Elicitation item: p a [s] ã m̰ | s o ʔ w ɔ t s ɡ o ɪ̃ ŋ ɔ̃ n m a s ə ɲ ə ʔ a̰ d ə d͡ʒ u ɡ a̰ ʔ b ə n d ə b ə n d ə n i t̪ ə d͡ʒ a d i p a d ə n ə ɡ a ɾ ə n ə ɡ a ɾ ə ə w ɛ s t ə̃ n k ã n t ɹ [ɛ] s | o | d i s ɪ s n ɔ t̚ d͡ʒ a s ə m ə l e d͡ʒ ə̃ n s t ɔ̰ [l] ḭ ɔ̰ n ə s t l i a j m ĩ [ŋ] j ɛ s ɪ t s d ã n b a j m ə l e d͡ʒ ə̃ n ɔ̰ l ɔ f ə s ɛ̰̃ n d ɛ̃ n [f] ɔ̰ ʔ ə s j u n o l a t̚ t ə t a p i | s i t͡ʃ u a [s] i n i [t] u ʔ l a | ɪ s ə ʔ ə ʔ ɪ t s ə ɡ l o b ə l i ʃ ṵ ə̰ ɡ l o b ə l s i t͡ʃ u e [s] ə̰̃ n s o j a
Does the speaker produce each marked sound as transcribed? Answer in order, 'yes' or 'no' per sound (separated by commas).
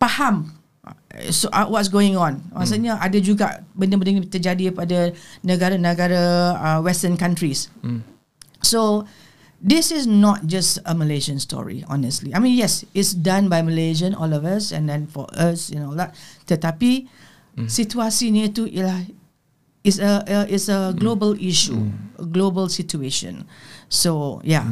no, no, no, no, yes, yes, yes, no